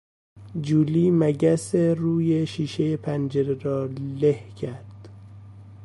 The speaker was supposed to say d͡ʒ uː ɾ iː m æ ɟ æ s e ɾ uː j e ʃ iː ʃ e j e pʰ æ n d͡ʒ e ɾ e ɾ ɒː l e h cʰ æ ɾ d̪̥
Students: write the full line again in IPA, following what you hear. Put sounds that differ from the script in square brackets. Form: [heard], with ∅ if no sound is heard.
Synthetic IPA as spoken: d͡ʒ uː [l] iː m æ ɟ æ s e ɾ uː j e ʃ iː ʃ e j e pʰ æ n d͡ʒ e ɾ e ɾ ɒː l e h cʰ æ ɾ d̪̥